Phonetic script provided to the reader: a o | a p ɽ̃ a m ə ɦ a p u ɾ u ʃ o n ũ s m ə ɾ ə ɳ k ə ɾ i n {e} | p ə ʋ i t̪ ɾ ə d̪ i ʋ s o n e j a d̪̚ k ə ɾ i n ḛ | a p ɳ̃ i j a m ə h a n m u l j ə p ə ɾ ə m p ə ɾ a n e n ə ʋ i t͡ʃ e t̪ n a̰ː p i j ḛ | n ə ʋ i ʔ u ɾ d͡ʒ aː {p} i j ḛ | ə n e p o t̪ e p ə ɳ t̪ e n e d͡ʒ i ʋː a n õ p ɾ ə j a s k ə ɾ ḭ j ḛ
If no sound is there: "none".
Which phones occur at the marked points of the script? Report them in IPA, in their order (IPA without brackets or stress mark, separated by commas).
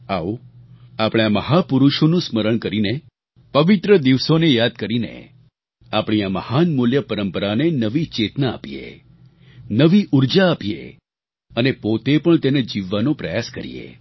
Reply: e, p